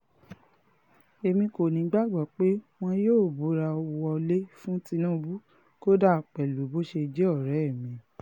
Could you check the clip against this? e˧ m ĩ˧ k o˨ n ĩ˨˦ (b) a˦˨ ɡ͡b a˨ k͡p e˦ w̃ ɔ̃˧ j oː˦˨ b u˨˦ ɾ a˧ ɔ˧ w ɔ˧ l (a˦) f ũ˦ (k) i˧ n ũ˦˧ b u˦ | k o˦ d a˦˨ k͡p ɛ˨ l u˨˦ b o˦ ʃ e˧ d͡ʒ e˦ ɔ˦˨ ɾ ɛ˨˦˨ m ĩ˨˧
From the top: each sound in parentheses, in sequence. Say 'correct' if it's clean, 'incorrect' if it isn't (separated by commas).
incorrect, incorrect, incorrect